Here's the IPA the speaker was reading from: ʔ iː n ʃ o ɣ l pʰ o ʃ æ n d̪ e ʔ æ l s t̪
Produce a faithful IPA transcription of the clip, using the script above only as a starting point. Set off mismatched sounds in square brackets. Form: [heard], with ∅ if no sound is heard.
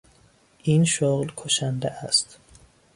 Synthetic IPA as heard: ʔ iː n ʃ o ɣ l [kʰ] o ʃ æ n d̪ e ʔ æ [∅] s t̪